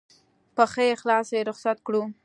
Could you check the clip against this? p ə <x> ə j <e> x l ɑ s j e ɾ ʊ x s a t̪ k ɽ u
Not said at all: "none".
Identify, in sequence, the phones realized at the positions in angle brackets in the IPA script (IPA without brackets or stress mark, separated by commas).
x, e